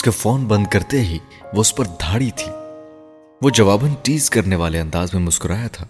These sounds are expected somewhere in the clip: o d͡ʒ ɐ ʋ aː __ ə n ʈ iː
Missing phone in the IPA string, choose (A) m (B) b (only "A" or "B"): B